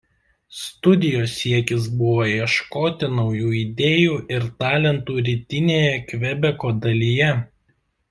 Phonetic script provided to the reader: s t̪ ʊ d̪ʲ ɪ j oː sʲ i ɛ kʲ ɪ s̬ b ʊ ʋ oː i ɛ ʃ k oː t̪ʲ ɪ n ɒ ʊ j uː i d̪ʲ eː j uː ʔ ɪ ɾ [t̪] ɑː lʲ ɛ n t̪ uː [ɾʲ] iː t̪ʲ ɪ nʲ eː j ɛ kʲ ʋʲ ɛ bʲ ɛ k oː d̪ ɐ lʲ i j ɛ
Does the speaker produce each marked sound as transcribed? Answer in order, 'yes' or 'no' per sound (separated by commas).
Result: yes, yes